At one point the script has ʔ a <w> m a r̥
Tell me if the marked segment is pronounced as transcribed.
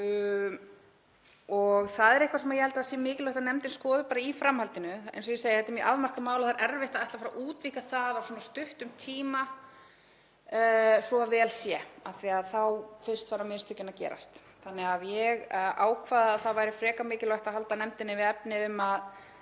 no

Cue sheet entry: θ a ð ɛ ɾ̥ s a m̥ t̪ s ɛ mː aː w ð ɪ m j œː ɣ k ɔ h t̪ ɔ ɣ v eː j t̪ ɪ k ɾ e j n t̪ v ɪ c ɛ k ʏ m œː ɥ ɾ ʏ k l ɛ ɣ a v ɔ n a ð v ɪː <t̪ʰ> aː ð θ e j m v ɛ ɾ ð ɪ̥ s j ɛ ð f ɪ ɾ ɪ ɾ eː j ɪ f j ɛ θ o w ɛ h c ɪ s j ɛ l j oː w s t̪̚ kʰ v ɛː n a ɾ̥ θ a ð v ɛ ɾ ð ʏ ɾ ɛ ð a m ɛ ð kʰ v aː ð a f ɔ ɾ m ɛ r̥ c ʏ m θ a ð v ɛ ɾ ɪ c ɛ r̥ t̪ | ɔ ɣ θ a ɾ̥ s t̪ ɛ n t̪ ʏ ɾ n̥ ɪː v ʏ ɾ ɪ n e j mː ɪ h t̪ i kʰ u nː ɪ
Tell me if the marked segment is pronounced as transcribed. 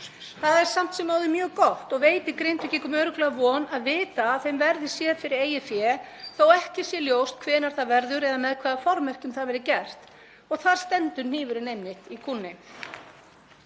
no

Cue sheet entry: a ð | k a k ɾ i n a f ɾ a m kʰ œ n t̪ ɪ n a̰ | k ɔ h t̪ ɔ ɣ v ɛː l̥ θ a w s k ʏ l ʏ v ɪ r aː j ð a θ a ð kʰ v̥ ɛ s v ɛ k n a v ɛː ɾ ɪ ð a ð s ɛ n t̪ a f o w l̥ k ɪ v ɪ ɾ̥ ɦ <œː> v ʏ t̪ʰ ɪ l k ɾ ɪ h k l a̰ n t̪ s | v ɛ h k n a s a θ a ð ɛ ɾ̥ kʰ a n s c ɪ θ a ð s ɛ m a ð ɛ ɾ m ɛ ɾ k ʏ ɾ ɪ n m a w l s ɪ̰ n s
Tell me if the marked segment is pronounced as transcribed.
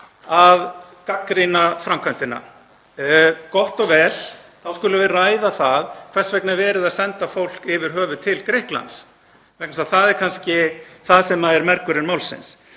yes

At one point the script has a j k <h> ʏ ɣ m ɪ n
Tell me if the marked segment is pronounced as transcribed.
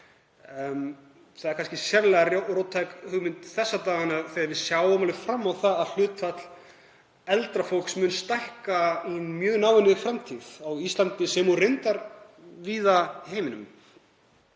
yes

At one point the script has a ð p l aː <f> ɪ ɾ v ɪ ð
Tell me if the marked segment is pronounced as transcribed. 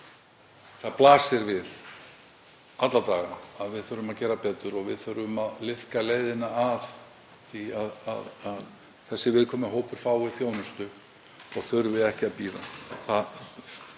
no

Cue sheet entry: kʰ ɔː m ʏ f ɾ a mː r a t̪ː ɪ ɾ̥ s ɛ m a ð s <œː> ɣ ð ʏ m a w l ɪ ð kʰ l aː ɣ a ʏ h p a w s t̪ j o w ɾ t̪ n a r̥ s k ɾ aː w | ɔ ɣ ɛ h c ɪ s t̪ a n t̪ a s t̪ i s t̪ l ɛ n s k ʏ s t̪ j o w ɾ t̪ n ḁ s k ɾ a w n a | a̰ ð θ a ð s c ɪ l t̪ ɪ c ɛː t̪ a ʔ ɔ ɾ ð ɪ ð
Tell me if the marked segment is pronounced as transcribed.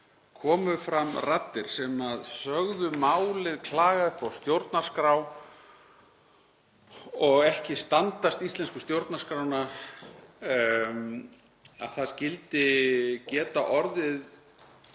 no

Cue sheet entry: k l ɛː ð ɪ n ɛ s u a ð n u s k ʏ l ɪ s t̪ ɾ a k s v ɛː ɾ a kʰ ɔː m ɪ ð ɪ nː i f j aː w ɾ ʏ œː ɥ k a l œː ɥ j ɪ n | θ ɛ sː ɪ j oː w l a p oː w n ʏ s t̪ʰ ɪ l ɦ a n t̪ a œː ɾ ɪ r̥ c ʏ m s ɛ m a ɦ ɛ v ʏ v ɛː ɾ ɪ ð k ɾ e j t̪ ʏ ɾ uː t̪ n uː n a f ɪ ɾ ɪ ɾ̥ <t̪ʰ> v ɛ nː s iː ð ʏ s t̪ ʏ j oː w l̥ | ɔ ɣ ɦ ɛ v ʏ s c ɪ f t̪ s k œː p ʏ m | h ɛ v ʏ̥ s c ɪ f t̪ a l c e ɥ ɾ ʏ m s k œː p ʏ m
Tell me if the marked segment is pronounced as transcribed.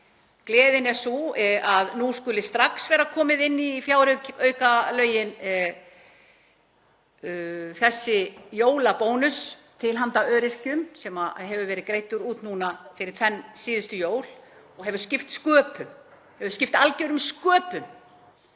yes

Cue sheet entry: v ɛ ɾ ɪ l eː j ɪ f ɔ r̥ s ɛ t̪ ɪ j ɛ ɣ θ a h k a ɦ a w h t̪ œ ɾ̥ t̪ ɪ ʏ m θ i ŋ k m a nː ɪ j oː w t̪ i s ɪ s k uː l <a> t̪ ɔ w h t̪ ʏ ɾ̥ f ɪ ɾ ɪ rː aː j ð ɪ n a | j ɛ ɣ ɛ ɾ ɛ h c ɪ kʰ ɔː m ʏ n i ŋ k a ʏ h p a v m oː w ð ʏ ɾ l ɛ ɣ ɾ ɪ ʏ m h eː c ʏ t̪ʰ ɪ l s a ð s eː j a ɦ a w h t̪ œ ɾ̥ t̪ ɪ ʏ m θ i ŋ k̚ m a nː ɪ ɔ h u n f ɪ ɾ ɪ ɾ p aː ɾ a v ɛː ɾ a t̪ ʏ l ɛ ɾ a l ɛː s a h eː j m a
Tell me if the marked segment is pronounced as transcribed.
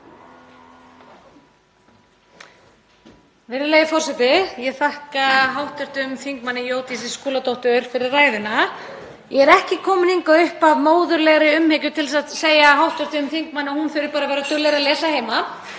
yes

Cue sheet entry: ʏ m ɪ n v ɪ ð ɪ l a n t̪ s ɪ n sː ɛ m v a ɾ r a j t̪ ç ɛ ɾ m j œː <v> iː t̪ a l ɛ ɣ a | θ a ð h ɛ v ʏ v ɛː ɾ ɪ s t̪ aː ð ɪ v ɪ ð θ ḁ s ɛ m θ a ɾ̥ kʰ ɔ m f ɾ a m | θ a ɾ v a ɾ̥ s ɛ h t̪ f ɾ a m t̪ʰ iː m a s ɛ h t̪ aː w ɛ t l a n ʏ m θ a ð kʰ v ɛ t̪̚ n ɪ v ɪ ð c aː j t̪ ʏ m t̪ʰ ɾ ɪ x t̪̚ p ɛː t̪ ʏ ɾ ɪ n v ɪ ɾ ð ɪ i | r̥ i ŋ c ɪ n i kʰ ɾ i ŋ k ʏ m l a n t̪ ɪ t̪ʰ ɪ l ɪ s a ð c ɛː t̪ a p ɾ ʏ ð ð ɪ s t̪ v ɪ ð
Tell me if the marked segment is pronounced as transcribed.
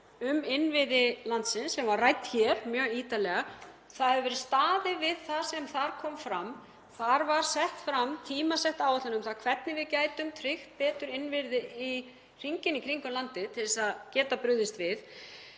no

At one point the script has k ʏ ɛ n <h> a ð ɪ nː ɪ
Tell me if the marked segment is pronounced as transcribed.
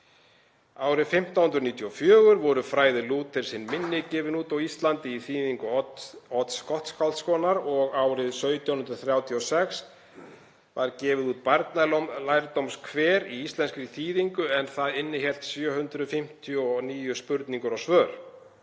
no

